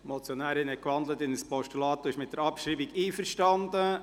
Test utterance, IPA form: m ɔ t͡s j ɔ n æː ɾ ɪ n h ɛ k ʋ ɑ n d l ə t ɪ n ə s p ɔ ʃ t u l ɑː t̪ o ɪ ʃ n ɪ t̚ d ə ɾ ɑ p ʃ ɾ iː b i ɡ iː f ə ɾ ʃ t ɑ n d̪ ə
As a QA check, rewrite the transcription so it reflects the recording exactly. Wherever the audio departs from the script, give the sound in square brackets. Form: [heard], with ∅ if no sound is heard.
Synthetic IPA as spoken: m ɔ t͡s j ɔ n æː ɾ ɪ n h ɛ k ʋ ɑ n d l ə t ɪ n ə s p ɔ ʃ t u l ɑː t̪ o ɪ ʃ [m] ɪ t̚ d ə ɾ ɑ p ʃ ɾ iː b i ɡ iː f ə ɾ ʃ t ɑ n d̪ ə